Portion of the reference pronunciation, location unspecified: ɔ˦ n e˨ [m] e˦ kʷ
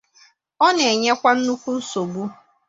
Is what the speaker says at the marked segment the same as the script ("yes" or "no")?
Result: no